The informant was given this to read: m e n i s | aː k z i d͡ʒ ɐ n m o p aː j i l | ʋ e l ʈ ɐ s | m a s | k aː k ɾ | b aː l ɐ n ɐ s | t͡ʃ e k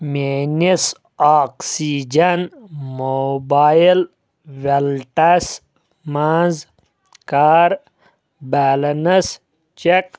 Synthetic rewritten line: m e n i s | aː k s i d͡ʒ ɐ n m o b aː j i l | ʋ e l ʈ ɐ s | m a z | k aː ɾ | b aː l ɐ n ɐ s | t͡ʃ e k